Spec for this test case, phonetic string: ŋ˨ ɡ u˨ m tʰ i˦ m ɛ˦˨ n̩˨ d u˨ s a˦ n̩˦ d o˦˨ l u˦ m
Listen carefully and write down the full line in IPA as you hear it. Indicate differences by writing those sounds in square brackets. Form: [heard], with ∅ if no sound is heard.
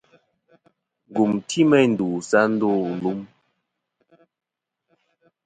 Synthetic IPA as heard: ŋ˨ ɡ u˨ m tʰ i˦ m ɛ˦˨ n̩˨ d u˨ s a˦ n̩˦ d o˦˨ l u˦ m